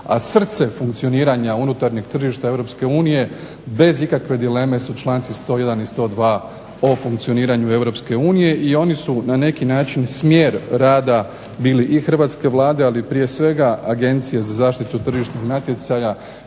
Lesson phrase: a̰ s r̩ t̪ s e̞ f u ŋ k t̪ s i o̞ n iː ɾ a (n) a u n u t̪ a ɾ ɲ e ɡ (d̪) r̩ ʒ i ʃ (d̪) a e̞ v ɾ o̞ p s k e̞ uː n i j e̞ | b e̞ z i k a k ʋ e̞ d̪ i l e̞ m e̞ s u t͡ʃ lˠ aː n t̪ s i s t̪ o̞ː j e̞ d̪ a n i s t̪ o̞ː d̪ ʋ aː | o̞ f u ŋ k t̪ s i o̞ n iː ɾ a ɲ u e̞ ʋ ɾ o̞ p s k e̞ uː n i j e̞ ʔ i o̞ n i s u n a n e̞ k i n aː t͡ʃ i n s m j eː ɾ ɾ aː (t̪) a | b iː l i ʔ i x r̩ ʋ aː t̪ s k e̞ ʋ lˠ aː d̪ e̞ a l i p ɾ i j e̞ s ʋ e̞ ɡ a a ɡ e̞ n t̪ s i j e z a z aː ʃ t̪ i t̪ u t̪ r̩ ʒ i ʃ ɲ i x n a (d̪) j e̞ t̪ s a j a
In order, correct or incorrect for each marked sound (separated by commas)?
incorrect, incorrect, incorrect, incorrect, incorrect